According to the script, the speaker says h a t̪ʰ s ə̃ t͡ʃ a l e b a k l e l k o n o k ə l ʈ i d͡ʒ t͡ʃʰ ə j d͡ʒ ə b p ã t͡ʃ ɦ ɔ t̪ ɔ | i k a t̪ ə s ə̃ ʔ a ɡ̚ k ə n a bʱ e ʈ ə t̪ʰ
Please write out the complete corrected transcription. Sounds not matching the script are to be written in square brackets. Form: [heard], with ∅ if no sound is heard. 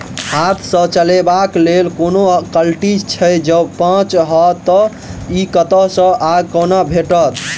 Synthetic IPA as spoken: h a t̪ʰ s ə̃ t͡ʃ [ə] l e b a k l e l k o n o k ə l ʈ i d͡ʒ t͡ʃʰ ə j d͡ʒ ə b p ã t͡ʃ ɦ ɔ t̪ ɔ | i k [ə] t̪ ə s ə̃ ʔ a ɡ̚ k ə n a bʱ e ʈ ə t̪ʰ

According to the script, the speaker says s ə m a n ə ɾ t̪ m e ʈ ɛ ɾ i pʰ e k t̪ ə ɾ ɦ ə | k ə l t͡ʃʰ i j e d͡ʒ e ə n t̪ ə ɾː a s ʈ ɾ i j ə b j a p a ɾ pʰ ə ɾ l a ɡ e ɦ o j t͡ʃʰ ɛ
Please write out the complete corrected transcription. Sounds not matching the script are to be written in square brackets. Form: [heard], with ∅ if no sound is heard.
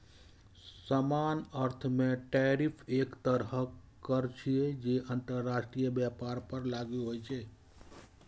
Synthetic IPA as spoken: s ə m a n ə ɾ [t̪ʰ] m e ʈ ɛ ɾ i pʰ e k t̪ ə ɾ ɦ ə | k ə [ɾ] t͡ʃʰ i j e d͡ʒ e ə n t̪ ə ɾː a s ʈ ɾ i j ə b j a p a ɾ [p] ə ɾ l a ɡ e ɦ o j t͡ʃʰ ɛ

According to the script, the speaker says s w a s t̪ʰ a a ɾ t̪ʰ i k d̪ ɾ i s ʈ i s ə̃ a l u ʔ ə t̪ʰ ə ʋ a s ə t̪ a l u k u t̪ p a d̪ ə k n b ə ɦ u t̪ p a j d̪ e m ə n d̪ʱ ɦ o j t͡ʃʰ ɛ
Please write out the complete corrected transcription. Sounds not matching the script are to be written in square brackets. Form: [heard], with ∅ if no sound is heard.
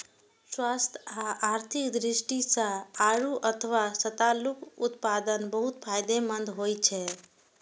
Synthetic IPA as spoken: s w a s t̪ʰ a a ɾ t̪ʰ i k d̪ ɾ i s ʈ i s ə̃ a [ɾ] u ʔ ə t̪ʰ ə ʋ a s ə t̪ a l u k u t̪ p a d̪ ə [∅] n b ə ɦ u t̪ [pʰ] a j d̪ e m ə n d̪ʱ ɦ o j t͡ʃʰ ɛ

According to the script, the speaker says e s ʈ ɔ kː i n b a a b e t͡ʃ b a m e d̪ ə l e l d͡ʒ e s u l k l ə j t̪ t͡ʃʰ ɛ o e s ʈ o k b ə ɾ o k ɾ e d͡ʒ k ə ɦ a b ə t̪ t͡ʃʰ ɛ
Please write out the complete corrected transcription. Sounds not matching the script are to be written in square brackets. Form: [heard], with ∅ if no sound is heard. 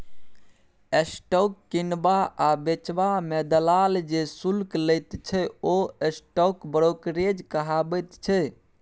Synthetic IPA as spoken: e s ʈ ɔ kː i n b a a b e t͡ʃ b a m e d̪ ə l [a] l d͡ʒ e s u l k l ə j t̪ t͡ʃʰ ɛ o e s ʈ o k b ə ɾ o k ɾ e d͡ʒ k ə ɦ a b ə t̪ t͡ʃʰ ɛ

